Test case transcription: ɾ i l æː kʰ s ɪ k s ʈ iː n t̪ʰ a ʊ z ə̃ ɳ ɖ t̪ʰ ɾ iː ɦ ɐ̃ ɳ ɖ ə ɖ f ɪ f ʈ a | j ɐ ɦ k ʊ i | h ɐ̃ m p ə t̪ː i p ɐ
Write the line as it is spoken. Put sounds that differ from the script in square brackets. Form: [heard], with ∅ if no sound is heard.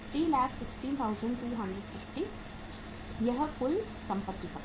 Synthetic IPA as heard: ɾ i l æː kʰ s ɪ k s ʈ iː n t̪ʰ a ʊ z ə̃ ɳ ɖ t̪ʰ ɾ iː ɦ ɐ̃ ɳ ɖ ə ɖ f ɪ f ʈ [i] | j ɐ ɦ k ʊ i | [s] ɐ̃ m p ə t̪ː i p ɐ